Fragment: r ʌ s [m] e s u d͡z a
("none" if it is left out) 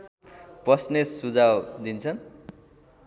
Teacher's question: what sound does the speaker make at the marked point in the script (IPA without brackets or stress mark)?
n